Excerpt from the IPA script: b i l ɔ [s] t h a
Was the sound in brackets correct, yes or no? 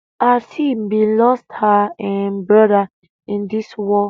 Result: yes